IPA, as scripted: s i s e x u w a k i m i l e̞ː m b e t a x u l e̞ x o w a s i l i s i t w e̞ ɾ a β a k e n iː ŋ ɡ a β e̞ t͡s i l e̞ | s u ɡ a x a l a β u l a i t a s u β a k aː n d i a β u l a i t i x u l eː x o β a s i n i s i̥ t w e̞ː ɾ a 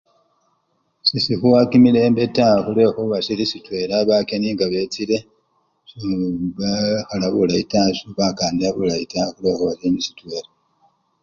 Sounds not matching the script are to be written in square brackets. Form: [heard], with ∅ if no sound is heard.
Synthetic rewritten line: s i s [i] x u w a k i m i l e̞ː m b e t a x u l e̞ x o [β] a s i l i s i t w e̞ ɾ a β a k e n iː ŋ ɡ a β e̞ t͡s i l e̞ | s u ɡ a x a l a β u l a i t a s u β a k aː n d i a β u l a i t [a] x u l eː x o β a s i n i s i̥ t w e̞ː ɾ a